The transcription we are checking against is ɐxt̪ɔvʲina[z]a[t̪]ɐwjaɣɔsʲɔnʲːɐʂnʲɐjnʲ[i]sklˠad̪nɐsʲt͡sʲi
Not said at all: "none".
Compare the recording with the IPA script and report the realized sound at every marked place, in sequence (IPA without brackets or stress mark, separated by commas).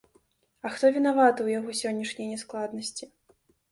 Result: v, t̪, ɛ